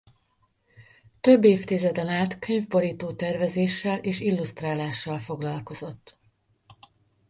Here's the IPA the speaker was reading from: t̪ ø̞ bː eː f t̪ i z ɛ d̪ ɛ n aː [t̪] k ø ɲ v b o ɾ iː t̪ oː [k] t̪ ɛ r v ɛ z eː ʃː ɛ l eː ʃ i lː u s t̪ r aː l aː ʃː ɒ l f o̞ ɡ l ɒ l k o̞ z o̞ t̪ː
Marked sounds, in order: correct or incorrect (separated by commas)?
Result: correct, incorrect